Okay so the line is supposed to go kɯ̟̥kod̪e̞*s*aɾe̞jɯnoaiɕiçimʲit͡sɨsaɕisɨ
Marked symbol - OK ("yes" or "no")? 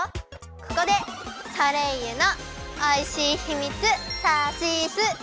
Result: yes